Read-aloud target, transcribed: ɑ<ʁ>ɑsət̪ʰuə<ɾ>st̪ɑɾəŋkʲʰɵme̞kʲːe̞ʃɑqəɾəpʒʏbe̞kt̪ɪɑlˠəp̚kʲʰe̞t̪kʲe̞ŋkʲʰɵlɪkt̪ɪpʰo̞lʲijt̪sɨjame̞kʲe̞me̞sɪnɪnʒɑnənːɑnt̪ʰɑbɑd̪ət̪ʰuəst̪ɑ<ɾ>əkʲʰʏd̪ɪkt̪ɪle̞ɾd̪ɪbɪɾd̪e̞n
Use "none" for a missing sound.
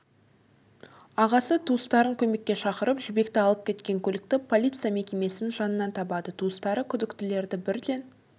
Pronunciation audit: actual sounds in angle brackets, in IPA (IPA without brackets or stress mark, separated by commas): ʁ, none, ɾ